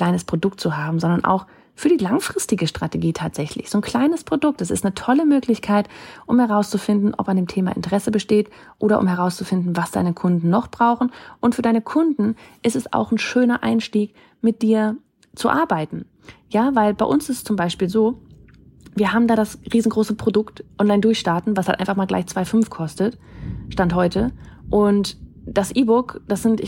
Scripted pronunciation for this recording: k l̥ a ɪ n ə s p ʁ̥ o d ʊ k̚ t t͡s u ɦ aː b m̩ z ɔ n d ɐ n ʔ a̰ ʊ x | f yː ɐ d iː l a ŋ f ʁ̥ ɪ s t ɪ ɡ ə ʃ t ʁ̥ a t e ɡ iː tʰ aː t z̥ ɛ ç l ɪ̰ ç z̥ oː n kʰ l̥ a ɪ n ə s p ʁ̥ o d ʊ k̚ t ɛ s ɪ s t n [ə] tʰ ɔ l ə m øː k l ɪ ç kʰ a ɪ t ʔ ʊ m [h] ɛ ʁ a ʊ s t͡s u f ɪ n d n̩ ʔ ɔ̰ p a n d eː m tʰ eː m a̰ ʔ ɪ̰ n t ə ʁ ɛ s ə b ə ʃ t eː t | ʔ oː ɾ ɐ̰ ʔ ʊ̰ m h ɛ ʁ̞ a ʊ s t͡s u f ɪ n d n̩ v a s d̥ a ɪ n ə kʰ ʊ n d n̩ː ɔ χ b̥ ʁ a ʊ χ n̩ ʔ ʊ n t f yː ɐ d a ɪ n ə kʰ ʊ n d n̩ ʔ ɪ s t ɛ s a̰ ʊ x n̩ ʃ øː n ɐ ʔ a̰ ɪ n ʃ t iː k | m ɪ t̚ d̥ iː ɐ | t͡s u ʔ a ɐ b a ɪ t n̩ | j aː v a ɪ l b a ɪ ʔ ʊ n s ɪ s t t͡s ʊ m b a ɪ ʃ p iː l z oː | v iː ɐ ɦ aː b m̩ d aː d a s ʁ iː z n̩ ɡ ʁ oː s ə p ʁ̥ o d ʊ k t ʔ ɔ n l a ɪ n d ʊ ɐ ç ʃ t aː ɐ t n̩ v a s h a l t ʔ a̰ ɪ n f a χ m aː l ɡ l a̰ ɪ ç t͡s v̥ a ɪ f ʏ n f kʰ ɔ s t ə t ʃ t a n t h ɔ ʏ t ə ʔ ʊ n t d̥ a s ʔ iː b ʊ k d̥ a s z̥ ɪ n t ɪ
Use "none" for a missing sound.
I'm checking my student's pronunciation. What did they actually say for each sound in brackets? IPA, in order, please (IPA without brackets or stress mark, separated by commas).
ə, h